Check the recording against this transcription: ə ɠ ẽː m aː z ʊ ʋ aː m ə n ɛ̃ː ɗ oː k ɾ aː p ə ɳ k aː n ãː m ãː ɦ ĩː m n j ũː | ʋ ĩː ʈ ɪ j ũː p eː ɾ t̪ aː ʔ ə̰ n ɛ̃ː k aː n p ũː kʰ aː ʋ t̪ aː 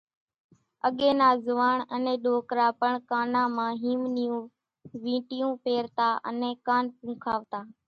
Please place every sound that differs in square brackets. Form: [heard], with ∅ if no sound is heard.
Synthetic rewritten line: ə ɠ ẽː [n] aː z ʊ ʋ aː [ɳ] ə n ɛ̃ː ɗ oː k ɾ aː p ə ɳ k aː n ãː m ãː ɦ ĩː m n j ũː | ʋ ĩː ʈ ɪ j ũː p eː ɾ t̪ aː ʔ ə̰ n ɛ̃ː k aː n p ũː kʰ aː ʋ t̪ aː